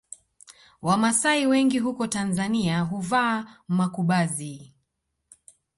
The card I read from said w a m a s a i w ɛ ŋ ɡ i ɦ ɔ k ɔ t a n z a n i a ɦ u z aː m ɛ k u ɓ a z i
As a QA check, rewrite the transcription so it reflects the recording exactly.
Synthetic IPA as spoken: w a m a s a i w ɛ ŋ ɡ i ɦ u k ɔ t a n z a n i a ɦ u v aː m a k u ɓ a z i